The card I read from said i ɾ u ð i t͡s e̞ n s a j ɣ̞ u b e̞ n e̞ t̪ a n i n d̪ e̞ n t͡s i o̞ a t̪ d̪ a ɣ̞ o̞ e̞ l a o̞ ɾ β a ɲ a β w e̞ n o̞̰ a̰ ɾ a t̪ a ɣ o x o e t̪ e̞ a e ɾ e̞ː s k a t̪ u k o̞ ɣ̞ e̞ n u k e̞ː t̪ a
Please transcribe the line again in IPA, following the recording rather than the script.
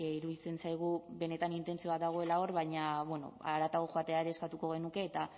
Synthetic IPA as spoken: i ɾ u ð i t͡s e̞ n s a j ɣ̞ u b e̞ n e̞ t̪ a n i n t̪ e̞ n t͡s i o̞ a t̪ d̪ a ɣ̞ o̞ e̞ l a o̞ ɾ β a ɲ a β w e̞ n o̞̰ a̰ ɾ a t̪ a ɣ o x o a t̪ e̞ a e ɾ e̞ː s k a t̪ u k o̞ ɣ̞ e̞ n u k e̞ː t̪ a